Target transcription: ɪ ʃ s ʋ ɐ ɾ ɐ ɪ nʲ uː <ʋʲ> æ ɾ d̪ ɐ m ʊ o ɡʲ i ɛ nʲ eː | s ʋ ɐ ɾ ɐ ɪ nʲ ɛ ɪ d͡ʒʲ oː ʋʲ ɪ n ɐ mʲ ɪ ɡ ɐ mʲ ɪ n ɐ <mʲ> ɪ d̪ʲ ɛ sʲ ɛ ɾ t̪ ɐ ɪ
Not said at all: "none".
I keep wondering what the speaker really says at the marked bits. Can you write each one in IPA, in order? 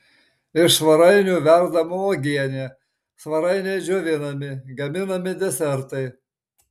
ʋʲ, mʲ

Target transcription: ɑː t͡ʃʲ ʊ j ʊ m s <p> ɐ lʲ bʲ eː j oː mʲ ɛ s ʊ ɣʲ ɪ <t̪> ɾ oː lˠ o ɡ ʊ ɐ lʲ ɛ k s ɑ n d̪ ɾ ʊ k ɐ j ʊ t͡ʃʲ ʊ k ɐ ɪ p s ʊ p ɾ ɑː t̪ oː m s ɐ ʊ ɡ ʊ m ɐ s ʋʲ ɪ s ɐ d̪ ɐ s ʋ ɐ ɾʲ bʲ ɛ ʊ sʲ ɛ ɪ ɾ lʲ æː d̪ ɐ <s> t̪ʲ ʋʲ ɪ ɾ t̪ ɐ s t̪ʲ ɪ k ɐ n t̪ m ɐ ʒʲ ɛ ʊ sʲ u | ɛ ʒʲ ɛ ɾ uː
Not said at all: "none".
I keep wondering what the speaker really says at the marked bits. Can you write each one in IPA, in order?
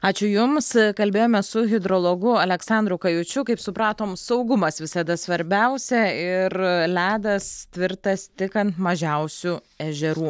k, d̪, s

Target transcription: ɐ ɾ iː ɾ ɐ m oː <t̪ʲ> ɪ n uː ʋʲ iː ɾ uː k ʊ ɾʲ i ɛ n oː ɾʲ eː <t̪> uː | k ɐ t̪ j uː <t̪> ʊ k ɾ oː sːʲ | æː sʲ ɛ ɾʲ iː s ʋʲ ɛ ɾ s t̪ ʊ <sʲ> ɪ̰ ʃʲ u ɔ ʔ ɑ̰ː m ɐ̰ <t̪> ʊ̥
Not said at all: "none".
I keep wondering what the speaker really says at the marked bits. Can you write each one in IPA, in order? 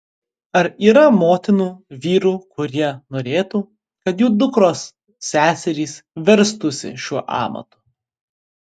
t̪ʲ, t̪, d̪, sʲ, t̪

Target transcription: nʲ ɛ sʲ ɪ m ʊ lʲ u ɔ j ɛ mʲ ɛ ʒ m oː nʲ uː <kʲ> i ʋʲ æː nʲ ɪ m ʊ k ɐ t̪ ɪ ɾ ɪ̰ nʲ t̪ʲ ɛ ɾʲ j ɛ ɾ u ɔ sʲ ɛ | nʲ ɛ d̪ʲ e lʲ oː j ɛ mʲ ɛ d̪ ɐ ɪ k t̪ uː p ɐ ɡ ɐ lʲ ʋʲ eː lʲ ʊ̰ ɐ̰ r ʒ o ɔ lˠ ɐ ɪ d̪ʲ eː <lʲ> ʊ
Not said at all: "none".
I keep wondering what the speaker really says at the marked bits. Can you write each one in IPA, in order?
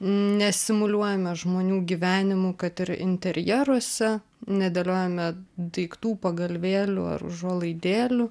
ɡʲ, lʲ

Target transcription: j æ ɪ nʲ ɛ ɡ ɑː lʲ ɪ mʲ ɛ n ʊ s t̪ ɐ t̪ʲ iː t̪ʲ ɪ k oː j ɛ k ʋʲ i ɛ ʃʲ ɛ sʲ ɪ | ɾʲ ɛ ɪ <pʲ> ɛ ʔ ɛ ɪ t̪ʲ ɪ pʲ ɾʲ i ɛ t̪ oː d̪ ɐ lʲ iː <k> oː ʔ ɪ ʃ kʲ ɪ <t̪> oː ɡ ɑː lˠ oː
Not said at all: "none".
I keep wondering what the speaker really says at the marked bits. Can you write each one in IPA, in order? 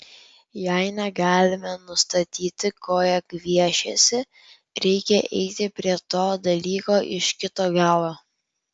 kʲ, k, t̪

